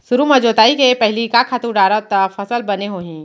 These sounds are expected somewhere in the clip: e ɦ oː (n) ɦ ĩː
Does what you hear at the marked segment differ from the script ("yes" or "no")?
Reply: yes